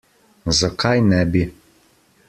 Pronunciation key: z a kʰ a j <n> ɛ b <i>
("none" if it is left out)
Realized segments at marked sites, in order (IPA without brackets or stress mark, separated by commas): n, i